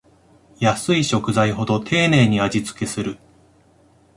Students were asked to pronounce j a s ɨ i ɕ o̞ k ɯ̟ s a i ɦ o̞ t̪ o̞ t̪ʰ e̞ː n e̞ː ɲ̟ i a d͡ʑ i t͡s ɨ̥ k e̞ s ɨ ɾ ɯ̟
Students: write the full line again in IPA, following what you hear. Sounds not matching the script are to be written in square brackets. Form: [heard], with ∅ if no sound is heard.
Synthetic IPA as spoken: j a s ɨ i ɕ o̞ k ɯ̟ [z] a i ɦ o̞ [d̪] o̞ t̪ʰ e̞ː n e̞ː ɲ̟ i a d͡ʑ i t͡s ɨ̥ k e̞ s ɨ ɾ ɯ̟